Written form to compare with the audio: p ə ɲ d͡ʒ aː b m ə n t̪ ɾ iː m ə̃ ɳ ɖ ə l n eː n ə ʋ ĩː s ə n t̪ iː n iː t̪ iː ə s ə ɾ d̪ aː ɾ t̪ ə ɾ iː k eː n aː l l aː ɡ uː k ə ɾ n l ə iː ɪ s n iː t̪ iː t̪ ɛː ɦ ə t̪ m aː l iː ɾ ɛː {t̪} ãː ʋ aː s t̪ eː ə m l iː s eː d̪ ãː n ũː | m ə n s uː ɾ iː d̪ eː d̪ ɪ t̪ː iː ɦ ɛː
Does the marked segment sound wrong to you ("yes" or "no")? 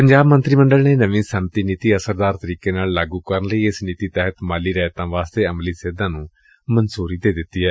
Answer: no